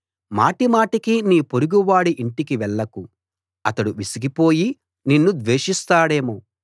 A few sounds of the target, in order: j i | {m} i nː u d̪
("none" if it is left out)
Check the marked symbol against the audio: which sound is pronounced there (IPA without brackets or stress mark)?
n